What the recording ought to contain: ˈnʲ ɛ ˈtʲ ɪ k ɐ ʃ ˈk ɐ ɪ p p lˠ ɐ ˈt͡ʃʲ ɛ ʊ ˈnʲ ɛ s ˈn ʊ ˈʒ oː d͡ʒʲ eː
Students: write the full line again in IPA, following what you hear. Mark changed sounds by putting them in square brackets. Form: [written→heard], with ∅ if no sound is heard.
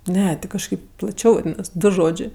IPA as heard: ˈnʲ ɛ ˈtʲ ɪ k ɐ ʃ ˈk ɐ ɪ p p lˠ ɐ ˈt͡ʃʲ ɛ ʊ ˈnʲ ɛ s [ˈn→ˈd] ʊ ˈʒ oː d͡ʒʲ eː